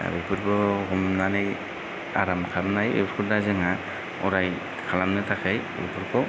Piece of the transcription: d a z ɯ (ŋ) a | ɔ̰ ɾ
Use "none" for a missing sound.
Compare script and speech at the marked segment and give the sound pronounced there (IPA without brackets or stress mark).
ŋ